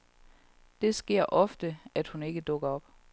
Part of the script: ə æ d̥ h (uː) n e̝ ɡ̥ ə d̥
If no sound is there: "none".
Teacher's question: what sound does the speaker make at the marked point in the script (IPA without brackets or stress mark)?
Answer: u